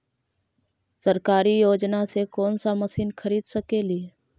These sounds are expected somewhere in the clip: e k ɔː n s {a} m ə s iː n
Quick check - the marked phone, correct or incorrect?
correct